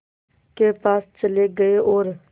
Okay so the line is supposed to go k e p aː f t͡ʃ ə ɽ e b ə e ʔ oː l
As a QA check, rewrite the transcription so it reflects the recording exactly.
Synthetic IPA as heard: k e p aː s t͡ʃ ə l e ɡ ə e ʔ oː ɾ